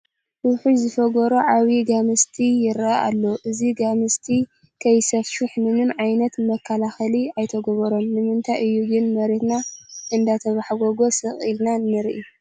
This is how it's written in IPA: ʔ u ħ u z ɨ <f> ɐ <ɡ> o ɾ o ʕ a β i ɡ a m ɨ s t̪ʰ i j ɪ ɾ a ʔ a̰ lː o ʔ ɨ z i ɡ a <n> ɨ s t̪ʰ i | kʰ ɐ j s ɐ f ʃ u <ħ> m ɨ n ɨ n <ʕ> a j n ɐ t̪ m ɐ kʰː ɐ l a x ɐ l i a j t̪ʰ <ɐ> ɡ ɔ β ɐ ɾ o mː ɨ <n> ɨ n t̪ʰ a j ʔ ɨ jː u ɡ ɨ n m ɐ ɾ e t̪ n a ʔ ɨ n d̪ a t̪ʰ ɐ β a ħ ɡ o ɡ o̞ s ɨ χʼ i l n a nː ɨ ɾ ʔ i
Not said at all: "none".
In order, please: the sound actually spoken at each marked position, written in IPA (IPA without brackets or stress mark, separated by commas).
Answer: f, ɡ, m, ħ, ʕ, ɐ, m